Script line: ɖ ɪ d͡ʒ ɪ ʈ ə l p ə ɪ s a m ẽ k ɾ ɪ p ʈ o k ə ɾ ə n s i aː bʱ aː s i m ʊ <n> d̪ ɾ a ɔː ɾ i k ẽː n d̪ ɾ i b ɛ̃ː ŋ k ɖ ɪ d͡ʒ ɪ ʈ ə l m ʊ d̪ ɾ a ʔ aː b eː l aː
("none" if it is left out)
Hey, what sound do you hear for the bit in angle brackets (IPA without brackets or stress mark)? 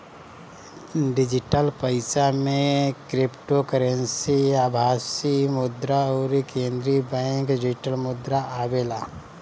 none